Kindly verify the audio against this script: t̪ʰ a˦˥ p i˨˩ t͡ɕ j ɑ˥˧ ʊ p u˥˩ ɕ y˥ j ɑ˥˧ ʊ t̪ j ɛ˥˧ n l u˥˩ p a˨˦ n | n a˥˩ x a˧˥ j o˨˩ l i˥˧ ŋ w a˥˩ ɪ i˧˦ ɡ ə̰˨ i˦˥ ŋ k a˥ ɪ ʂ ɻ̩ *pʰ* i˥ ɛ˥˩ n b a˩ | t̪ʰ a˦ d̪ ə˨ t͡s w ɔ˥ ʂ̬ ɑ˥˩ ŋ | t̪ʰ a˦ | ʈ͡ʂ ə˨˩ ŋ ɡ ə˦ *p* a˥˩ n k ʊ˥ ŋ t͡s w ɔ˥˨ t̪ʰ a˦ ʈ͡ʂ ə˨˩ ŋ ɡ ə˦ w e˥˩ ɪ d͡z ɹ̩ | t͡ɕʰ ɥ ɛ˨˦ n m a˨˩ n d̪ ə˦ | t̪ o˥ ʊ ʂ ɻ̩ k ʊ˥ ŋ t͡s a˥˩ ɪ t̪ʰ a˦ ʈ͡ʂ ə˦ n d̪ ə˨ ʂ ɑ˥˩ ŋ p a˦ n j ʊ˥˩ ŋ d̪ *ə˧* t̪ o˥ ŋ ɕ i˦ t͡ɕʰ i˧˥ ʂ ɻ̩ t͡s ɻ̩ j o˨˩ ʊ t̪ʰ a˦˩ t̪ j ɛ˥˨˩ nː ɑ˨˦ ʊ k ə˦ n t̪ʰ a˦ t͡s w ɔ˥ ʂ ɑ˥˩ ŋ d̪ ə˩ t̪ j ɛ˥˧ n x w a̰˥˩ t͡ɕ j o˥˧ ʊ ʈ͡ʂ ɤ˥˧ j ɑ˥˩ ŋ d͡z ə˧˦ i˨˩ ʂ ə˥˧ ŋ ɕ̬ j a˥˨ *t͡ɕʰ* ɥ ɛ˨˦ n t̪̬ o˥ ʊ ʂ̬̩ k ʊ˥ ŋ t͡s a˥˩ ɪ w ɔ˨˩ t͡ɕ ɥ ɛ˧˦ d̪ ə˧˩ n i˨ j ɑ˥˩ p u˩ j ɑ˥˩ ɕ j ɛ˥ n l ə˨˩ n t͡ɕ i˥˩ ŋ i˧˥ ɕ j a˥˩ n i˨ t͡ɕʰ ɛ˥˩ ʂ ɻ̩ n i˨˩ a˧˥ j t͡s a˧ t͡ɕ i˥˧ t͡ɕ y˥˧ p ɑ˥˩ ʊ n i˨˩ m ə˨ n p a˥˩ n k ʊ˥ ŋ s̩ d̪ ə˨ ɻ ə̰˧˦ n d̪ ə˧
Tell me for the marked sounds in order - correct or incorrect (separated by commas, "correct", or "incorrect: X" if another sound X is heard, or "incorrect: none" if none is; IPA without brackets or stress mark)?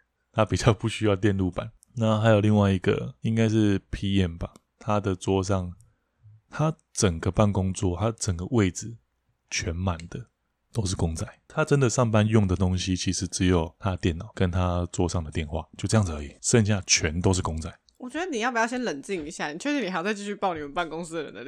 correct, correct, incorrect: ə˩, correct